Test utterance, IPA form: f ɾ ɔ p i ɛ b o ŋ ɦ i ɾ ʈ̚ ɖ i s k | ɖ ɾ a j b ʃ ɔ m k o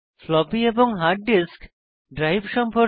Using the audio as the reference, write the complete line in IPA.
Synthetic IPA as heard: f l ɔ b i e b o ŋ ɦ a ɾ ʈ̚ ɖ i s k | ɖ ɾ a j b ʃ ɔ m p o

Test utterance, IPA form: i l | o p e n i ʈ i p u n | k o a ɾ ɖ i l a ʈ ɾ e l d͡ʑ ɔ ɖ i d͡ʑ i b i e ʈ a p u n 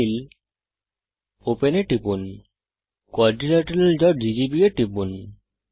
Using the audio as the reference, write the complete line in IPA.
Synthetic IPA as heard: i l | o p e n e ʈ i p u n | k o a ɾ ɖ i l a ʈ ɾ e l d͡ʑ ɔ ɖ i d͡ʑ i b i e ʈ i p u n

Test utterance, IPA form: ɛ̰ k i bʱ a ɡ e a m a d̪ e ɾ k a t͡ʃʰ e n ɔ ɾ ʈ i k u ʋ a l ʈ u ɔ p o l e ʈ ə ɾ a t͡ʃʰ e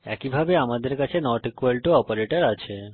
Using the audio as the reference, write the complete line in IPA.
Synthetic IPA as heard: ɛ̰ k i bʱ a b e a m a d̪ e ɾ k a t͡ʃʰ e n ɔ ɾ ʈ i k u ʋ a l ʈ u ɔ p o ɾ e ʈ ə ɾ a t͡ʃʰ e

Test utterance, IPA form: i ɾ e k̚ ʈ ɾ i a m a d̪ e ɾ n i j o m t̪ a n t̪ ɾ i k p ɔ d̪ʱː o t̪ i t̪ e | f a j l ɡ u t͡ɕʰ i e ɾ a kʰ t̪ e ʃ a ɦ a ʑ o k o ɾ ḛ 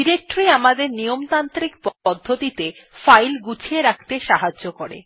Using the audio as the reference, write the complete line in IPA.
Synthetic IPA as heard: i ɾ e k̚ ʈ ɾ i a m a d̪ e ɾ n i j o m t̪ a n t̪ ɾ i k p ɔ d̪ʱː o t̪ i t̪ e | f a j l ɡ u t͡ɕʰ i e ɾ a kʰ t̪ e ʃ a ɦ a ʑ o k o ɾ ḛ

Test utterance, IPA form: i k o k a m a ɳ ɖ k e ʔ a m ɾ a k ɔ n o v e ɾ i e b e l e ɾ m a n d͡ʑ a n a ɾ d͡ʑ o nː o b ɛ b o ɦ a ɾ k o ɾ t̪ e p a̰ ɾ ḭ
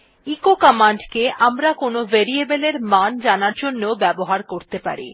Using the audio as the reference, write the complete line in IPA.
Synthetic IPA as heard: i k o k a m a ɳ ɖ k e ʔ a m ɾ a k o n o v e ɾ i e b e l e ɾ m a n d͡ʑ a n a ɾ d͡ʑ o nː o b ɛ b o ɦ a ɾ k o ɾ t̪ e p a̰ ɾ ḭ

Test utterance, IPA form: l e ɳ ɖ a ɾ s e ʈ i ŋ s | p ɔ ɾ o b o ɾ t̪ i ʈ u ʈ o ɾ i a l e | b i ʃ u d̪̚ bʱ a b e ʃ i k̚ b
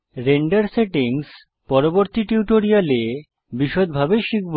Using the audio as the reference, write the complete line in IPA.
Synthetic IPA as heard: ɾ e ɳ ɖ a ɾ s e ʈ i ŋ s | p ɔ ɾ o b o ɾ t̪ i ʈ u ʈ o ɾ i a l e | b i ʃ o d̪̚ bʱ a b e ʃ i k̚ b

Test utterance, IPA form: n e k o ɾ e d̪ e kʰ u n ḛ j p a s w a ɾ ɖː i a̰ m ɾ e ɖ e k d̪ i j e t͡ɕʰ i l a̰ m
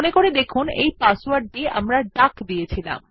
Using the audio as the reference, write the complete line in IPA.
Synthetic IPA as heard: n e k o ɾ e d̪ e kʰ u n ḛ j p a s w a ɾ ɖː i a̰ m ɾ a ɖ a k d̪ i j e t͡ɕʰ i l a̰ m

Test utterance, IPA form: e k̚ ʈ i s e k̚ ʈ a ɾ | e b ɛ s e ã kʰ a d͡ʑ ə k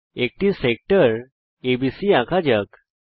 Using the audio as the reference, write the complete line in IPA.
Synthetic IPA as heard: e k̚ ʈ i s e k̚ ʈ ə ɾ | e b i s i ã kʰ a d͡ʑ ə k

